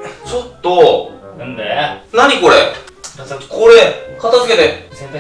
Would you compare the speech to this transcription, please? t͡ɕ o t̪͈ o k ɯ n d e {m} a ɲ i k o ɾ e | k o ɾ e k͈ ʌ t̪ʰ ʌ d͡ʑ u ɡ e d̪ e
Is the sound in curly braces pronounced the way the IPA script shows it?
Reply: no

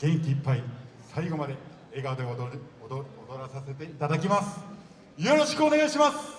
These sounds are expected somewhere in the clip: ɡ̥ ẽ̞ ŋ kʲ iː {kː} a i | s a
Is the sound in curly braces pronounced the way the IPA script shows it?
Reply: no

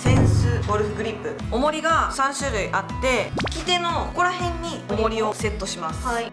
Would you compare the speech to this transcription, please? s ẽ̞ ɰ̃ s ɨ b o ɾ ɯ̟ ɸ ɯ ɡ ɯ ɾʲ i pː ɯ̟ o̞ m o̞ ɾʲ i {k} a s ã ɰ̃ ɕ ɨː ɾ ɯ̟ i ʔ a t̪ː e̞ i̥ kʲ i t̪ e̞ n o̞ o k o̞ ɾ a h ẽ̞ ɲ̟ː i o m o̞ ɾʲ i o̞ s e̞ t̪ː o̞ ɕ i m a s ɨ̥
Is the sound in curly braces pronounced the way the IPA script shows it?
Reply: no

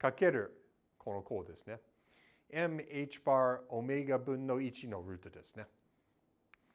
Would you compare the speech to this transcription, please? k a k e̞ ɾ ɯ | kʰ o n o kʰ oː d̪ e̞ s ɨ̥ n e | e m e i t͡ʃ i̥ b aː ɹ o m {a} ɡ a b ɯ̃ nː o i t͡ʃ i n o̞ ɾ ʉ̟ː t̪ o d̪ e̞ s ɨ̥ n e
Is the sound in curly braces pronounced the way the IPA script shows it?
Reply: no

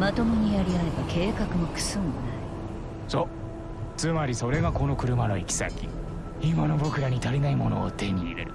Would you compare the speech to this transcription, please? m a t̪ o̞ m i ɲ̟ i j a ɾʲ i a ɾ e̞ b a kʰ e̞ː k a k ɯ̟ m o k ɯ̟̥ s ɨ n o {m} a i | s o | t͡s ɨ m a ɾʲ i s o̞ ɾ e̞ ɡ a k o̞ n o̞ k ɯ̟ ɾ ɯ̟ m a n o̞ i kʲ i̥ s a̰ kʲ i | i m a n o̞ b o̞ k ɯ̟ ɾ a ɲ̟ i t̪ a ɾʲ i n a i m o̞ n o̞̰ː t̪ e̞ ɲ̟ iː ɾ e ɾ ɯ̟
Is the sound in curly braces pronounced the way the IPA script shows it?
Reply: no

